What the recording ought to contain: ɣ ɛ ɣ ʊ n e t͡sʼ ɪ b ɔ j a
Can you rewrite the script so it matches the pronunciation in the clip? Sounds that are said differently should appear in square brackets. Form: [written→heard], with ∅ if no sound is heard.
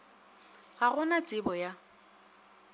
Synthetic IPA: ɣ [ɛ→a] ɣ ʊ n [e→a] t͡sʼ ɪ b ɔ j a